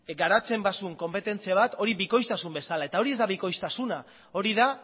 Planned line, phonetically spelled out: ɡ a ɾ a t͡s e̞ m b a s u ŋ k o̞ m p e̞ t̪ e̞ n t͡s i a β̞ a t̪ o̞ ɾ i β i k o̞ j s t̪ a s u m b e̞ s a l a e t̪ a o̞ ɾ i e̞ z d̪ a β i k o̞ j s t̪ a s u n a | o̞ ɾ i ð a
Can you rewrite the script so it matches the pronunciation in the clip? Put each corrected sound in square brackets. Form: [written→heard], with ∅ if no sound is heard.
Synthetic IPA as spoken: ɡ a ɾ a t͡s e̞ m b a s u ŋ k o̞ m p e̞ t̪ e̞ n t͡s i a β̞ a t̪ o̞ ɾ i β i k o̞ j s t̪ a s u m b e̞ s a l a e t̪ a o̞ ɾ i e̞ z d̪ a β i k o̞ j s t̪ a s u n a | o̞ ɾ i ð a